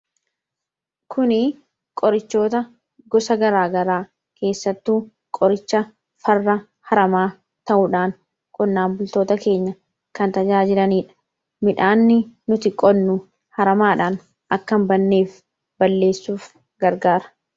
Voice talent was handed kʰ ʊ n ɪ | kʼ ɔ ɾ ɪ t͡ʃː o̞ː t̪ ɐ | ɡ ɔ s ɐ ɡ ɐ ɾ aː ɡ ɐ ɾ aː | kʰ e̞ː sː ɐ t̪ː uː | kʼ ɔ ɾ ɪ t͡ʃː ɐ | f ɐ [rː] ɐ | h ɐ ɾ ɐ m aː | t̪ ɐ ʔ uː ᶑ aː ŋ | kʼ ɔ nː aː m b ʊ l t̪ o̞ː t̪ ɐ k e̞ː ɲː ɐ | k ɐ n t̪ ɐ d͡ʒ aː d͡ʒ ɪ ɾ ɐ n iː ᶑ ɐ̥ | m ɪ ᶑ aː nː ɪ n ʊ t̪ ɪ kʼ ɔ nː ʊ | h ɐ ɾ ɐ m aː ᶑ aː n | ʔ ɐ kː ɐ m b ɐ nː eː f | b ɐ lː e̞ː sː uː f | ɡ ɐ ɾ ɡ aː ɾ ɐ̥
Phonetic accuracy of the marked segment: correct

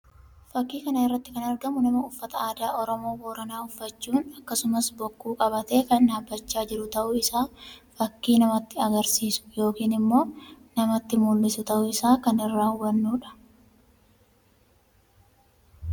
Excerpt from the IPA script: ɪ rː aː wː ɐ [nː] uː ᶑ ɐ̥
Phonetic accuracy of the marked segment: correct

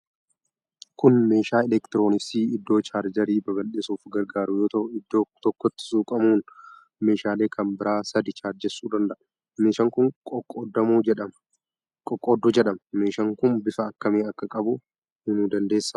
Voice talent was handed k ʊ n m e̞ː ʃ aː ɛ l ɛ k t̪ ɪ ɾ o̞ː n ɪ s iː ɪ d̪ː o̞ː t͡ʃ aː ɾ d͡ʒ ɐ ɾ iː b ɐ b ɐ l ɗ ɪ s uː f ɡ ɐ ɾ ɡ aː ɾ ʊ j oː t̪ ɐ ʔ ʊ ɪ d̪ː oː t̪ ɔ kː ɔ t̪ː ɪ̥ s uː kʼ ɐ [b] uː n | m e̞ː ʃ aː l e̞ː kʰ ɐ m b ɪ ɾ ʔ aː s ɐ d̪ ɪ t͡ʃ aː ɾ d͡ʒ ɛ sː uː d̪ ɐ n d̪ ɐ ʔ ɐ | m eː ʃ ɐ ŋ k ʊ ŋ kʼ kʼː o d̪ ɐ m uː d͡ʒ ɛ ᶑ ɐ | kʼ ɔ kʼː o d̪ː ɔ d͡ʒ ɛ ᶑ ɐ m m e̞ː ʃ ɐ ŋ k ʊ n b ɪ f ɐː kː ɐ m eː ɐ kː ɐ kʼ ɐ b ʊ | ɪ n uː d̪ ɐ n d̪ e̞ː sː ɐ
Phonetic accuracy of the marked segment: incorrect: m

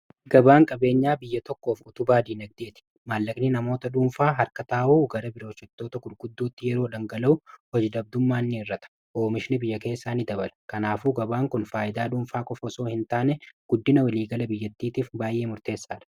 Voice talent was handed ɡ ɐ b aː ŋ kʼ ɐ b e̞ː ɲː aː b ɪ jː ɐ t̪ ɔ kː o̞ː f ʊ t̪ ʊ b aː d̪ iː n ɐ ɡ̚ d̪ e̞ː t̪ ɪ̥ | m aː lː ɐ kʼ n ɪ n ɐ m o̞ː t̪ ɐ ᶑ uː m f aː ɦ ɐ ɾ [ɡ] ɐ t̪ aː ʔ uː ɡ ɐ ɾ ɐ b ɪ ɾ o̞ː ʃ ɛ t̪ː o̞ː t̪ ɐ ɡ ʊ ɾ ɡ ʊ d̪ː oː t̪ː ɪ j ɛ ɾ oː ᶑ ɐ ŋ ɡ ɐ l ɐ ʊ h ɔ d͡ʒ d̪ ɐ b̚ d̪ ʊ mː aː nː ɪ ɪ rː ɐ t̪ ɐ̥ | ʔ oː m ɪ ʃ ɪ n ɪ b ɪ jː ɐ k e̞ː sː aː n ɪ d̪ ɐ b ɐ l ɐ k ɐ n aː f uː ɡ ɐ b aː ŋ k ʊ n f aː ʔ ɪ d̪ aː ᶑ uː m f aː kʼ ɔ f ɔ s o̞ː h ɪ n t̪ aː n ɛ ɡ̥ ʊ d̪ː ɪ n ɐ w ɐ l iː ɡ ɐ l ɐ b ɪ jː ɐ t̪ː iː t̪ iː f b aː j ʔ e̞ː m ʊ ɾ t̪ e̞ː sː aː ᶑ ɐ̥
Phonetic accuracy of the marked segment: incorrect: k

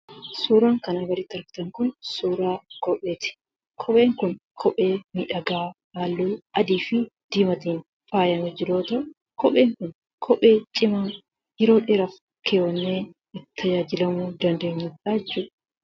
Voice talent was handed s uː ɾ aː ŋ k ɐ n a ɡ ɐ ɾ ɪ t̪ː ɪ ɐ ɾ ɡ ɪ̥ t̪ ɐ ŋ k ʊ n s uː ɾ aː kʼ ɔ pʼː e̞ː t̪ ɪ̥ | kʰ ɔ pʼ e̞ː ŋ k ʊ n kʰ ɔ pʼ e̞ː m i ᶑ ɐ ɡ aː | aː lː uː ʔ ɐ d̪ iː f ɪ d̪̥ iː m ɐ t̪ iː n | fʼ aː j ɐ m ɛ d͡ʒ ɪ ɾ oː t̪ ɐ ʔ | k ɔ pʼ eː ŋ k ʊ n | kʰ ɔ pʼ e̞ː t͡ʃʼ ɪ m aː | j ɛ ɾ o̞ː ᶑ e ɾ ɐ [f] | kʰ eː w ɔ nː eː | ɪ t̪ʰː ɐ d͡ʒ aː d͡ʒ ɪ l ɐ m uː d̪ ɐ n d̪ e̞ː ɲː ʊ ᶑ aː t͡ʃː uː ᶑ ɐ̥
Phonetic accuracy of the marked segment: correct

